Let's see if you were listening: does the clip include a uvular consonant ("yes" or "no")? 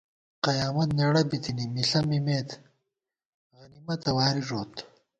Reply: yes